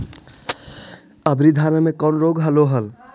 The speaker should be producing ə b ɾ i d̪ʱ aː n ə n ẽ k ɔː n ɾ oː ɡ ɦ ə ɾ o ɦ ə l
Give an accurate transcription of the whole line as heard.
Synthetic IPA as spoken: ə b ɾ i d̪ʱ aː n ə m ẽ k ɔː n ɾ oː ɡ ɦ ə l o ɦ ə l